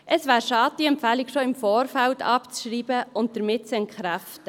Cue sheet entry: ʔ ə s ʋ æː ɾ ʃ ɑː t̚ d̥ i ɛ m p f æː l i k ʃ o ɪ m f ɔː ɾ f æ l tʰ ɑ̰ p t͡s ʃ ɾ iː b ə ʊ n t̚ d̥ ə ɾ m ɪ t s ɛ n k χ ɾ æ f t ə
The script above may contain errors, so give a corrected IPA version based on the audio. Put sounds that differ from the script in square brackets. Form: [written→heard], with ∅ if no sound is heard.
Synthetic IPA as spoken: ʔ ə s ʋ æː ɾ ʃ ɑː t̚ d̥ i ɛ m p f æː l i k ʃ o ɪ m f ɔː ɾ f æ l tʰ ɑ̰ p t͡s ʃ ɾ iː b ə ʊ n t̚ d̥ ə ɾ m ɪ t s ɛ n k χ ɾ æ f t ə